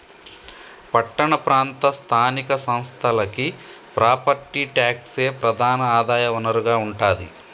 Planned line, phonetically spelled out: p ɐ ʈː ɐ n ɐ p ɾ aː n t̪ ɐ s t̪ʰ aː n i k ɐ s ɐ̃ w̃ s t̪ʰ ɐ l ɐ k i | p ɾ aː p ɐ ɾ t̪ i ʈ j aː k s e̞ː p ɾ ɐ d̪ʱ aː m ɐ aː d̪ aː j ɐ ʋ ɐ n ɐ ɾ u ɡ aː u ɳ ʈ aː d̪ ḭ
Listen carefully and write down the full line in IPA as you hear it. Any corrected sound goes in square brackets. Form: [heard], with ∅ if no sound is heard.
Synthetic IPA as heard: p ɐ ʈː ɐ [ɳ] ɐ p ɾ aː n t̪ ɐ s t̪ʰ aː n i k ɐ s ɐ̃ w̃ s t̪ʰ ɐ l ɐ k i | p ɾ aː p ɐ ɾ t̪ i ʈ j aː k s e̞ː p ɾ ɐ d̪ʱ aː [n] ɐ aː d̪ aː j ɐ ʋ ɐ n ɐ ɾ u ɡ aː u ɳ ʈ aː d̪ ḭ